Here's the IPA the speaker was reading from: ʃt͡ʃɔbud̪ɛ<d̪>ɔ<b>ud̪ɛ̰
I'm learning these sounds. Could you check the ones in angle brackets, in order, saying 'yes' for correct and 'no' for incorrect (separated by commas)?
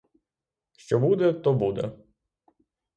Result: no, yes